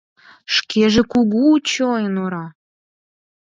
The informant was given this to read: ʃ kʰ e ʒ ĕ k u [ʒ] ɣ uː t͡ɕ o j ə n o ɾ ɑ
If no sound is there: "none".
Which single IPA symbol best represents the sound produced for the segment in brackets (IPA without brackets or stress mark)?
none